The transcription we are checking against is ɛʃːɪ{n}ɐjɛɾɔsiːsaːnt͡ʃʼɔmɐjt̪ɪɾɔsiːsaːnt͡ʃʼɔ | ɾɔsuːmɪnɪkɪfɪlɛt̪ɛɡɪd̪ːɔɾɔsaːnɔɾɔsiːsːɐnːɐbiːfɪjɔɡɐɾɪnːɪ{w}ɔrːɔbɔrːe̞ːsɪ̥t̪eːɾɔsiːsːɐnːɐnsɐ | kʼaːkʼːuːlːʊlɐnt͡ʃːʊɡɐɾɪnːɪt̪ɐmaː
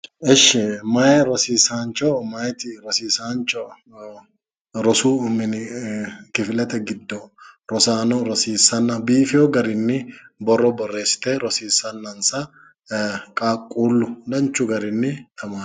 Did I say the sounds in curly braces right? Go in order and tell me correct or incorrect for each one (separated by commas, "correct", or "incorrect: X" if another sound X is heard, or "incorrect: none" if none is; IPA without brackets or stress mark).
incorrect: m, incorrect: b